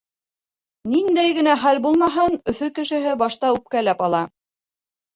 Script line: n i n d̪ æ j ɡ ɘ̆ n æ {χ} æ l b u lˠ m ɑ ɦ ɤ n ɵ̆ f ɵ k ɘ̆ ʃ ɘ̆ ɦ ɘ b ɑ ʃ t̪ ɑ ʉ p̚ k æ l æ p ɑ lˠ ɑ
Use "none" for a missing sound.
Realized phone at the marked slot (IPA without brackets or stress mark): χ